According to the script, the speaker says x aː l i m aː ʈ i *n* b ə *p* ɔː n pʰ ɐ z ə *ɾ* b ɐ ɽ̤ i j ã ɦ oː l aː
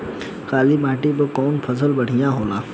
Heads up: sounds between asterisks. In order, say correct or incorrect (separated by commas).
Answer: incorrect, incorrect, incorrect